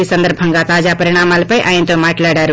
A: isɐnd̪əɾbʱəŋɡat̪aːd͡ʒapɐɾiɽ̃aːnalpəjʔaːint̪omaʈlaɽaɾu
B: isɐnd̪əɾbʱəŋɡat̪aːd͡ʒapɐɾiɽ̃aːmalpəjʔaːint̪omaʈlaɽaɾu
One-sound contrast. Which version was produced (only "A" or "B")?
B